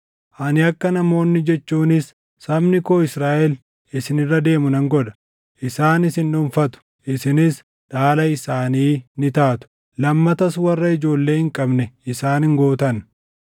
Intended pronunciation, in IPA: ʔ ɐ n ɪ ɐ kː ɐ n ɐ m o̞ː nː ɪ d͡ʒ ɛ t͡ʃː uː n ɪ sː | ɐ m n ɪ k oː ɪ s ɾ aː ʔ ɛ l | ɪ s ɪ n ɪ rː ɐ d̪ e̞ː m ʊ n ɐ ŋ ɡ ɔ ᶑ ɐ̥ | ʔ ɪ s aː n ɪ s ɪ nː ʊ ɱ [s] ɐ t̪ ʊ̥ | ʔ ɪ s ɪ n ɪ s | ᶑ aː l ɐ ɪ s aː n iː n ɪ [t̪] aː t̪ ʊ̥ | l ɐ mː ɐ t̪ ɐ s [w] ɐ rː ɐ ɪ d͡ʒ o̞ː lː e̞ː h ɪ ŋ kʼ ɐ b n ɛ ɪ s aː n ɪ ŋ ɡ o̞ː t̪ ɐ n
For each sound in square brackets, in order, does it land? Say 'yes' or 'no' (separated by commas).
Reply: no, yes, yes